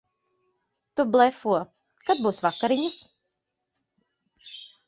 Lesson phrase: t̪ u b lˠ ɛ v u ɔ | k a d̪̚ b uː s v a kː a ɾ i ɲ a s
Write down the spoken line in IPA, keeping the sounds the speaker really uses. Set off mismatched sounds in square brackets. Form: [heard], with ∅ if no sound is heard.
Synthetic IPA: t̪ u b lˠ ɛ [f] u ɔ | k a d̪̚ b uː s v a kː a ɾ i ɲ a s